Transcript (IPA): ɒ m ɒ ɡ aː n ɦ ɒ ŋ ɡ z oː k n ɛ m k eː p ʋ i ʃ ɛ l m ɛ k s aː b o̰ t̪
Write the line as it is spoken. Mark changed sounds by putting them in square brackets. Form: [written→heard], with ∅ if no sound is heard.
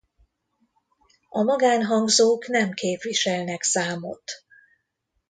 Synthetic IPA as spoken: ɒ m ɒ ɡ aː n ɦ ɒ ŋ ɡ z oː k n ɛ m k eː p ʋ i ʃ ɛ l [m→n] ɛ k s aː [b→m] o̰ t̪